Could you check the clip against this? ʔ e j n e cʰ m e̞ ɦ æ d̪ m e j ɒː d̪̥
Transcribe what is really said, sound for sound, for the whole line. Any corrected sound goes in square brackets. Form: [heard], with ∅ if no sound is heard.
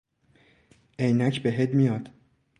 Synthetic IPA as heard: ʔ e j n [æ] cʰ [b] e̞ ɦ [e] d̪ m [i] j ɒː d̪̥